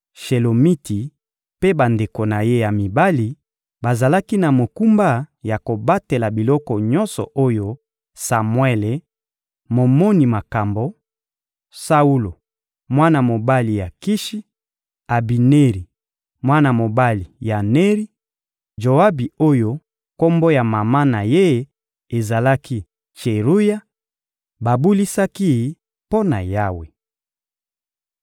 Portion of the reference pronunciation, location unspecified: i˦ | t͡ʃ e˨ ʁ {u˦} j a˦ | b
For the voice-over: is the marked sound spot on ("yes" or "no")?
yes